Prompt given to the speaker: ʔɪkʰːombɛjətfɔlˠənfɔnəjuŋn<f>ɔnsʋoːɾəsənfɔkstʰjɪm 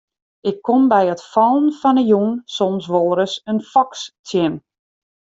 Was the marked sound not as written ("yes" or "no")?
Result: yes